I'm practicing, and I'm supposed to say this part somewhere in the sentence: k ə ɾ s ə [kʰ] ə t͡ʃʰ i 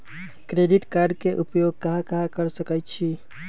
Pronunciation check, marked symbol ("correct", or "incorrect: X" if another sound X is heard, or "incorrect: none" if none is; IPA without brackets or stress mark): incorrect: k